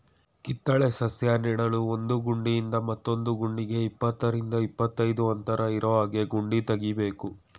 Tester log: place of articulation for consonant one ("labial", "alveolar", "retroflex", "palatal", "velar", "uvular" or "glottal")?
velar